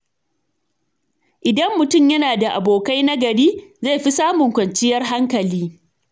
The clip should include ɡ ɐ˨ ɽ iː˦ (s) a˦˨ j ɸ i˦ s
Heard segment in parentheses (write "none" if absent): z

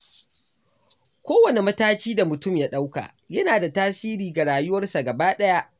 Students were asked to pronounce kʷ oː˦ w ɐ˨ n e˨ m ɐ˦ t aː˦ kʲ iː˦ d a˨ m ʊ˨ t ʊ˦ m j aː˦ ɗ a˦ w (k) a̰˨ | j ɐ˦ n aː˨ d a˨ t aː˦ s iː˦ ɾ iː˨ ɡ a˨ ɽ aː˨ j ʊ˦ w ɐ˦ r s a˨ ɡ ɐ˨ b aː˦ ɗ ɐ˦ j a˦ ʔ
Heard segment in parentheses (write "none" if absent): k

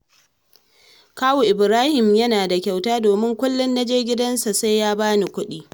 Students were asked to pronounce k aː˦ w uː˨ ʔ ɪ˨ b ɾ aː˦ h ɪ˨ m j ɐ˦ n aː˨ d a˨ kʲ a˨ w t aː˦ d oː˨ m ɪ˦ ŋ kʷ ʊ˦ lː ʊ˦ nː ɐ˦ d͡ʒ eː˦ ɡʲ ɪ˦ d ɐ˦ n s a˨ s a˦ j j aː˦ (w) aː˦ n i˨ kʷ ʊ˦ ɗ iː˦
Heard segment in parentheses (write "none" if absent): b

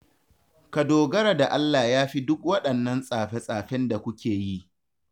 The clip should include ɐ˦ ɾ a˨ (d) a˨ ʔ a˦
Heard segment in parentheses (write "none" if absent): d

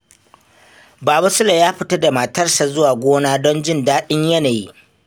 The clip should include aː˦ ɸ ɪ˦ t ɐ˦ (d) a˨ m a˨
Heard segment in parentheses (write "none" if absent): d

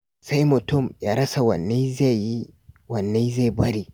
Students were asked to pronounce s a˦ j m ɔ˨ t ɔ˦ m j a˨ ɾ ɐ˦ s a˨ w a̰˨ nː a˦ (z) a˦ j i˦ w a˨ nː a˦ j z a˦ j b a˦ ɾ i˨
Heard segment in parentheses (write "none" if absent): z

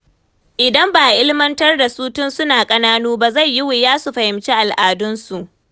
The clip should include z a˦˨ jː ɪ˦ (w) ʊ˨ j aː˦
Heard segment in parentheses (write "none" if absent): w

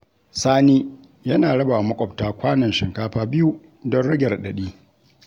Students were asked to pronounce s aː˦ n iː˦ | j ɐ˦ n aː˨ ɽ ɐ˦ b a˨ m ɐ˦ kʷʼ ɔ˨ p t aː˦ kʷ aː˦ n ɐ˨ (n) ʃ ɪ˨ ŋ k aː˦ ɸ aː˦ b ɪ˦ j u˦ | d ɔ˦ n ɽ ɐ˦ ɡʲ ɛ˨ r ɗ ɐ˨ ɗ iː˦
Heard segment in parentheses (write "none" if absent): n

